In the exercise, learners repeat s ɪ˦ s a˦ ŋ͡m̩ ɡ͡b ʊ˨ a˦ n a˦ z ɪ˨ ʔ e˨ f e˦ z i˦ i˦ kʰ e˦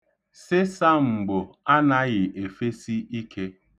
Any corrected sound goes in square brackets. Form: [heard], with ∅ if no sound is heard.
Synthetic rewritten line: s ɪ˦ s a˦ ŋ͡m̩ ɡ͡b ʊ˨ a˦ n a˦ [ɣ] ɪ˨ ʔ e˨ f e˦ [s] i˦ i˦ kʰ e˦

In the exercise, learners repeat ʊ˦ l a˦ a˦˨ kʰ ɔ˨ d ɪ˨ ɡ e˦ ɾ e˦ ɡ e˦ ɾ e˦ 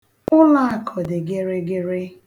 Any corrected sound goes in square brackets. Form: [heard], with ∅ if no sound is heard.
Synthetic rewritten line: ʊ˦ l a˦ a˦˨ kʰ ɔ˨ d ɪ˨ ɡ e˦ ɾ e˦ ɡ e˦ ɾ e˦

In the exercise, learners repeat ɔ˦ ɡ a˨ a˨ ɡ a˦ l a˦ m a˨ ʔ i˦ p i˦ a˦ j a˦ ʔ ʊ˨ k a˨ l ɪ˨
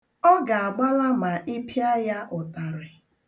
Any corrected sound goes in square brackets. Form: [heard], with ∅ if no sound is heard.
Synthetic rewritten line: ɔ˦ ɡ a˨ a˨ [ɡ͡b] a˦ l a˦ m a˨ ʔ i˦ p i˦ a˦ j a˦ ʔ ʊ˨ [t] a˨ [ɾ] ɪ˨

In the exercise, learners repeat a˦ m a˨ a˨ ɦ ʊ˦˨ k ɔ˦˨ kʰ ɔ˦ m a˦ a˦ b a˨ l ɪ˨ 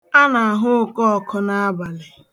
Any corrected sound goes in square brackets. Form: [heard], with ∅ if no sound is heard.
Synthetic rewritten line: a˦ [n] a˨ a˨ ɦ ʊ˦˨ k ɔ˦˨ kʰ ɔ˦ [n] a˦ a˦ b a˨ l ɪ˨

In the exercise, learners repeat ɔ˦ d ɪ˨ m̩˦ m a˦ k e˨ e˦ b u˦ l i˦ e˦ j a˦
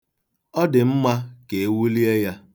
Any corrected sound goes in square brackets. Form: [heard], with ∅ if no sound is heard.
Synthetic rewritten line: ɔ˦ d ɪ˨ m̩˦ m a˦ k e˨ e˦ [w] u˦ l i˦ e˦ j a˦

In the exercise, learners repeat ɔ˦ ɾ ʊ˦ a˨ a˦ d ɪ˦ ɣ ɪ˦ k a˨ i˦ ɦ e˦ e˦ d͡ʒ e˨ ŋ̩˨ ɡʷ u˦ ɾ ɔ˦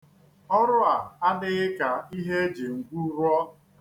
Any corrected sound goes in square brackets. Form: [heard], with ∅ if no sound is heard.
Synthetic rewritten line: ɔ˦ ɾ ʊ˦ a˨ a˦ d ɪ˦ ɣ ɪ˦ k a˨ i˦ ɦ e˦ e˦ d͡ʒ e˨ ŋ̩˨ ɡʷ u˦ ɾ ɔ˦

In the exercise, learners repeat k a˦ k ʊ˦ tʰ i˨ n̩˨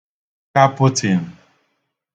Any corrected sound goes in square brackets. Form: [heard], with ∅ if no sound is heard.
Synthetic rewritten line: k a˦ [p] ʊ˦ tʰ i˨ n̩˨

